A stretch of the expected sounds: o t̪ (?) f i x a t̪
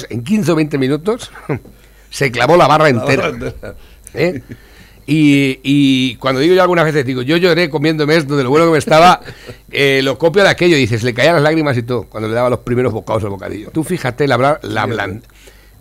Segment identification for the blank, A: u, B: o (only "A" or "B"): A